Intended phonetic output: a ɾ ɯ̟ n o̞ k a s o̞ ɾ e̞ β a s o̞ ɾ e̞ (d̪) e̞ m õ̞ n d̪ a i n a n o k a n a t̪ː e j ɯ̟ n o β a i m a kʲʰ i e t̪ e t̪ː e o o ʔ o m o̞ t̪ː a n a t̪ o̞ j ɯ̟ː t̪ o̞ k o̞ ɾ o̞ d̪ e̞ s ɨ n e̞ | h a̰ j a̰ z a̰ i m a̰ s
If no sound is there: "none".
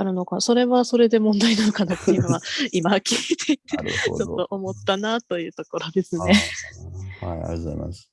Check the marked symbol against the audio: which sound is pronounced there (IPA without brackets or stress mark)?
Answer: d̪